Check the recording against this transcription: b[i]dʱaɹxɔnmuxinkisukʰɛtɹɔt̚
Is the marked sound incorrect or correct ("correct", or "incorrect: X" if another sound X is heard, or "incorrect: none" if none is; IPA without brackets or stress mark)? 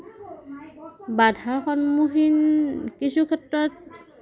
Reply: incorrect: a